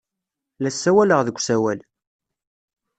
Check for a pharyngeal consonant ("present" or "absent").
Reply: absent